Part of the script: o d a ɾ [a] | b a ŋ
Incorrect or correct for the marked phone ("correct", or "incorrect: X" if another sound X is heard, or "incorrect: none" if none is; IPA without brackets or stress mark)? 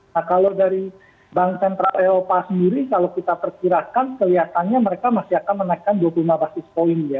incorrect: i